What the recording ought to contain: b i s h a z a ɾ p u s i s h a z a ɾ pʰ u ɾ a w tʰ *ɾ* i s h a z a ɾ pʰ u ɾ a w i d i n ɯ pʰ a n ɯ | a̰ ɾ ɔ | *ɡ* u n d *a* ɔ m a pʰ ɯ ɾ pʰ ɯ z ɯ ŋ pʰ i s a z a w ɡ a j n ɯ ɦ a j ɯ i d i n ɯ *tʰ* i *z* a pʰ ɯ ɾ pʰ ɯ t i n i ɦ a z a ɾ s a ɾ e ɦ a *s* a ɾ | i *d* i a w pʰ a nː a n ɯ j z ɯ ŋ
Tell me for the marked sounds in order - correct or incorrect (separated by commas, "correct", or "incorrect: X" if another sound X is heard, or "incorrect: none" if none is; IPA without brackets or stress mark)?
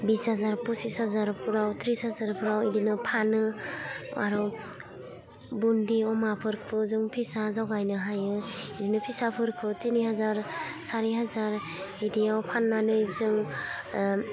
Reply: correct, incorrect: b, incorrect: i, incorrect: pʰ, incorrect: s, incorrect: z, correct